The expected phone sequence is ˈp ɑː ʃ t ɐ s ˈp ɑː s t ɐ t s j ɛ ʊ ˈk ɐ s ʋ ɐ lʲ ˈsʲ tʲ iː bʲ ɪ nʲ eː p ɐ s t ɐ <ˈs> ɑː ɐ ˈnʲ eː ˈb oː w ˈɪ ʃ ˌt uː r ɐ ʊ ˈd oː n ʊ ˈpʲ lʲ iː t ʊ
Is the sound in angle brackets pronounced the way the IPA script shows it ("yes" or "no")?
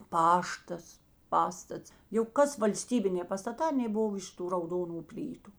no